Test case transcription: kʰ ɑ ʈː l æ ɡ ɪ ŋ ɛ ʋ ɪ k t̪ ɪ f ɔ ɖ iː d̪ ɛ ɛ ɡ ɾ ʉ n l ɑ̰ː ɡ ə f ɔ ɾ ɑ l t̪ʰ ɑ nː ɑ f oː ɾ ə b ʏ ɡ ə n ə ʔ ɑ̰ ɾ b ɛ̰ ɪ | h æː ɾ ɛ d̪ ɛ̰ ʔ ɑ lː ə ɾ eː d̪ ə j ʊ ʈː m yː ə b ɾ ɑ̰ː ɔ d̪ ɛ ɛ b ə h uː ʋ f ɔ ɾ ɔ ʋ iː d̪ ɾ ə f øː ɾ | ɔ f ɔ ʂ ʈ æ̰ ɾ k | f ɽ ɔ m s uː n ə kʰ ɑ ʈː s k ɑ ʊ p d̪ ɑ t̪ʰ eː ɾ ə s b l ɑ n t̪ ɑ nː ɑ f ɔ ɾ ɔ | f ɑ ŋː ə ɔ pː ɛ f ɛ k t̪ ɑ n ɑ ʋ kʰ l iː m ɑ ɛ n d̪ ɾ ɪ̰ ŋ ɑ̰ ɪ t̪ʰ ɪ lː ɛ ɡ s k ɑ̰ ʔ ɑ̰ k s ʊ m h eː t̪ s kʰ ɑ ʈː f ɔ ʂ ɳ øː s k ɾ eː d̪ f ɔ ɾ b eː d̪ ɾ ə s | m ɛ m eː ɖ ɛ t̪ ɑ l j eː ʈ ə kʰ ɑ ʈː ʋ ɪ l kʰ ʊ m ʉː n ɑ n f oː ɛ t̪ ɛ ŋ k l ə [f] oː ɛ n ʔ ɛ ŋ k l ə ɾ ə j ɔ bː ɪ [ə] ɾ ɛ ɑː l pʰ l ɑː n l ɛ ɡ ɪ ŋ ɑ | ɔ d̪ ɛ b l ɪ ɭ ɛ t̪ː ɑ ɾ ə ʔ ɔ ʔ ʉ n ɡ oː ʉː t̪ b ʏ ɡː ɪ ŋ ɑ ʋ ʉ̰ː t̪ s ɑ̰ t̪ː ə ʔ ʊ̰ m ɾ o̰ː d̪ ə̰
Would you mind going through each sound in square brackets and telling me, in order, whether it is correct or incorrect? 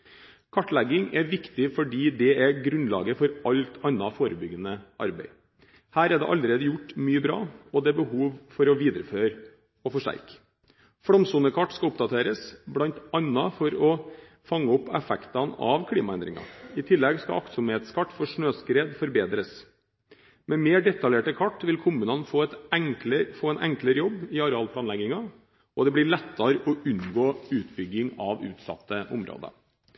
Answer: correct, incorrect: ɑ

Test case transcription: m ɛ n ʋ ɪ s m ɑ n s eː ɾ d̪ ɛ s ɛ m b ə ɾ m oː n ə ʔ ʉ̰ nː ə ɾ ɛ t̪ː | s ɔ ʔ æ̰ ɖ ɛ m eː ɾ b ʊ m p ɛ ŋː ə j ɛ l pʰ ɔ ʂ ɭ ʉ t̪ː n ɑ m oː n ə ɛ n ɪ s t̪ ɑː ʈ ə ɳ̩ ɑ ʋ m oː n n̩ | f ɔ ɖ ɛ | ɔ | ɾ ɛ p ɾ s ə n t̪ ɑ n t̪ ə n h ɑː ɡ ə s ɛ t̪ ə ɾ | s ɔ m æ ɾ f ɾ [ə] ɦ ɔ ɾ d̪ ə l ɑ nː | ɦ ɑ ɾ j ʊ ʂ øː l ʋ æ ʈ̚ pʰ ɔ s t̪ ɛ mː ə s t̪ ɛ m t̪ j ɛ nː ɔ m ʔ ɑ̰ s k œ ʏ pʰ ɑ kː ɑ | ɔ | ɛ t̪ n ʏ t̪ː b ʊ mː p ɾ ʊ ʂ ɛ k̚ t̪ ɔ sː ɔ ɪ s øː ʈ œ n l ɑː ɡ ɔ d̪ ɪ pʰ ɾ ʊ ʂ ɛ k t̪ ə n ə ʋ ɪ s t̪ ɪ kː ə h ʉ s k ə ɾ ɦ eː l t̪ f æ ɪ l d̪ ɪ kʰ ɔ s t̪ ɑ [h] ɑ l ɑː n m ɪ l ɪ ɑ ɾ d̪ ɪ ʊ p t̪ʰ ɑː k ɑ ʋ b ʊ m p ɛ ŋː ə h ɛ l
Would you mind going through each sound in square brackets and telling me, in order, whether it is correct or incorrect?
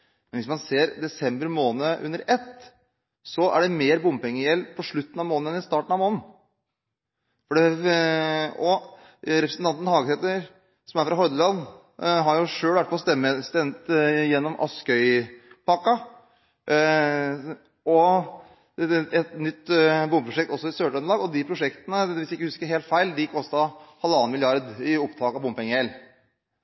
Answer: incorrect: ɑ, correct

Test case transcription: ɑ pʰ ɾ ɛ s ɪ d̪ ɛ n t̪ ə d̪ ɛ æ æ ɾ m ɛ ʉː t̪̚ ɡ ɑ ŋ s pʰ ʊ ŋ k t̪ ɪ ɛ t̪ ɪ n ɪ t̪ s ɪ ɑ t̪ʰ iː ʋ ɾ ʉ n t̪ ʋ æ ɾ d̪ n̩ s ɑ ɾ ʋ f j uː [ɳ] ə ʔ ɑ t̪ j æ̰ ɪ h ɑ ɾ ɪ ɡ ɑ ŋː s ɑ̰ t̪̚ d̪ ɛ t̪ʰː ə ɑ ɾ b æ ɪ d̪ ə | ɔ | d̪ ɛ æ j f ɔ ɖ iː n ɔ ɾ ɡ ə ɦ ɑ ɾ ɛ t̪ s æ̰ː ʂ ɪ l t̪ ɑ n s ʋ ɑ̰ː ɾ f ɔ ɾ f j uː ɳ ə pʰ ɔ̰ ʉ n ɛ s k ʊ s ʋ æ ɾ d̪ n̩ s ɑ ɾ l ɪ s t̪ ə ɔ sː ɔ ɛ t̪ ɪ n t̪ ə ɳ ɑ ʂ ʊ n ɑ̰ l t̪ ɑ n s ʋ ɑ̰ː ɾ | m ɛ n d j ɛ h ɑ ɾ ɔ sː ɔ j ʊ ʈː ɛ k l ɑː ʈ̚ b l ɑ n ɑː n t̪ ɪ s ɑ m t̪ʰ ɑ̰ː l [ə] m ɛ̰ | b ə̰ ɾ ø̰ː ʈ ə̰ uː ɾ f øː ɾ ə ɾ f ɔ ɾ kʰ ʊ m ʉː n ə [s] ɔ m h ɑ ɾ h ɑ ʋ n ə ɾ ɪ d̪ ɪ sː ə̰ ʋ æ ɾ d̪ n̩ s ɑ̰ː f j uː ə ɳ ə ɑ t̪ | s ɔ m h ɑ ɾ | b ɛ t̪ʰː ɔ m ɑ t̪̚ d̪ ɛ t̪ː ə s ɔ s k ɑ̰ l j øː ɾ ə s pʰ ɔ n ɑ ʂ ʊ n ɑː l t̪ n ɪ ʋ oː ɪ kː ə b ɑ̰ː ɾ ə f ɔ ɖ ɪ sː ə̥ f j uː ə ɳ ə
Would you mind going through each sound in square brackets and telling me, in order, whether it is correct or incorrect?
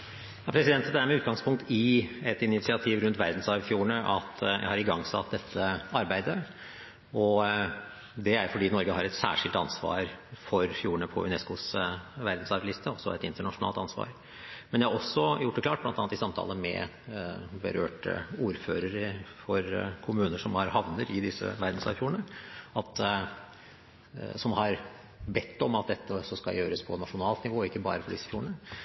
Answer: correct, correct, incorrect: ʂ

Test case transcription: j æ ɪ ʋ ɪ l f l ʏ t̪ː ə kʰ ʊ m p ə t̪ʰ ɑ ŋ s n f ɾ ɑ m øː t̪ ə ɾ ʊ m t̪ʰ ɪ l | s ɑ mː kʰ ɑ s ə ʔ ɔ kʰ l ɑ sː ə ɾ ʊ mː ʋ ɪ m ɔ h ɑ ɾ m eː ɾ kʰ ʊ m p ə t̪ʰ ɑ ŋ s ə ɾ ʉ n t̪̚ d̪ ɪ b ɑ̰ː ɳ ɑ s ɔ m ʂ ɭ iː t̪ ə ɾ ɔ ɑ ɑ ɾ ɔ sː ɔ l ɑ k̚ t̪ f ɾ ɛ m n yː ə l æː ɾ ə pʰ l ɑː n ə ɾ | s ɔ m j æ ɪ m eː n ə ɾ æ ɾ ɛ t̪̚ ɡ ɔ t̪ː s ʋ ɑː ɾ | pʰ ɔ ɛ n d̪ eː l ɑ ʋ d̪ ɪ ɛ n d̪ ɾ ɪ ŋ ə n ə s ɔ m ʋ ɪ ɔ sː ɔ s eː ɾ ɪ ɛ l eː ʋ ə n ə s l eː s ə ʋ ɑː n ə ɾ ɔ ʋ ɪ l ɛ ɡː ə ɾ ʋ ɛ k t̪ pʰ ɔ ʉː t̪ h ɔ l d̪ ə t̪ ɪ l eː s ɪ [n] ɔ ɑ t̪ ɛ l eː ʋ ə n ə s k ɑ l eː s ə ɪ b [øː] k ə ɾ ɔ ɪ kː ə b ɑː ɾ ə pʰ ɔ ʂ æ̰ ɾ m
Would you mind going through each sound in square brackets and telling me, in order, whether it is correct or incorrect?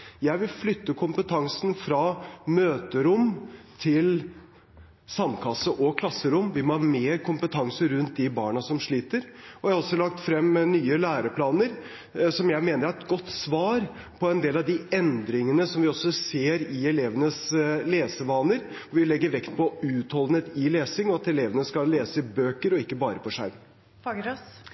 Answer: incorrect: ŋ, correct

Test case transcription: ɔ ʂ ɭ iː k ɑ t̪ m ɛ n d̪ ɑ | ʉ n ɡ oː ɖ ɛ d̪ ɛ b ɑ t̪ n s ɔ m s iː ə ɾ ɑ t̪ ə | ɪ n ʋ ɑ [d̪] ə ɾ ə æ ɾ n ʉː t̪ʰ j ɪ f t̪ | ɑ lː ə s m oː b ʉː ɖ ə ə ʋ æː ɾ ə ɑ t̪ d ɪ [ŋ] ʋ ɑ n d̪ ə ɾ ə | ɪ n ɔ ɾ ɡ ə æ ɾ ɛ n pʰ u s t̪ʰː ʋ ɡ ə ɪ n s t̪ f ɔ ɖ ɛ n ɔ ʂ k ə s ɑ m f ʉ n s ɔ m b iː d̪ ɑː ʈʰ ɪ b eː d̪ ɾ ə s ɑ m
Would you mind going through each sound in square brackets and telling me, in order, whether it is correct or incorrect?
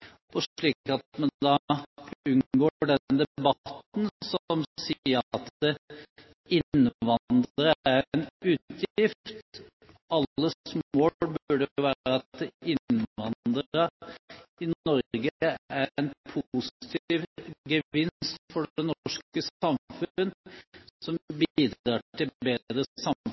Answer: correct, incorrect: n

